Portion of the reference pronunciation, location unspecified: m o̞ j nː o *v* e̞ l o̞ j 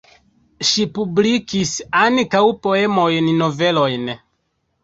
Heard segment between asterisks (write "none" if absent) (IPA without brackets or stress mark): v